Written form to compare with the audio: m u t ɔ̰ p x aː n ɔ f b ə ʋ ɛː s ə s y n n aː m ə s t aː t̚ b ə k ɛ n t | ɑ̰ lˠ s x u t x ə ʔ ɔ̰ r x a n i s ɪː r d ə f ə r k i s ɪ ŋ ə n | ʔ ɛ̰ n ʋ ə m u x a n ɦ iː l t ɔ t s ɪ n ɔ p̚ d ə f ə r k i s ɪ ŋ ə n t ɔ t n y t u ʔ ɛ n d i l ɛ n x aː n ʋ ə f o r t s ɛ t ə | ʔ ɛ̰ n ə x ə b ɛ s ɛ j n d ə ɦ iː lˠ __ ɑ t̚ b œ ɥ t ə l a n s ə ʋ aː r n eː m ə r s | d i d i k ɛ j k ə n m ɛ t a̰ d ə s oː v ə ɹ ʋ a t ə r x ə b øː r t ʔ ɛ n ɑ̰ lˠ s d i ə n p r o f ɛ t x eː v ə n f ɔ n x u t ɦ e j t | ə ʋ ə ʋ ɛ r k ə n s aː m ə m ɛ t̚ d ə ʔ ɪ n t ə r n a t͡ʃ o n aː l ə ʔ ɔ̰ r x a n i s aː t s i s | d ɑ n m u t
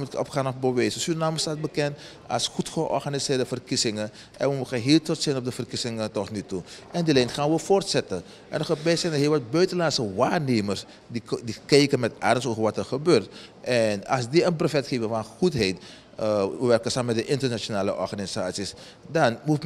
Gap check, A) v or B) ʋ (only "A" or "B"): B